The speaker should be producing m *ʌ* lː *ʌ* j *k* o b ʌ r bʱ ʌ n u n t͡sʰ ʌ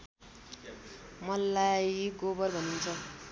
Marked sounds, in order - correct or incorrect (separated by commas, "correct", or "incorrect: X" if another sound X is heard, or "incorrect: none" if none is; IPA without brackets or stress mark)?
correct, incorrect: a, incorrect: ɡ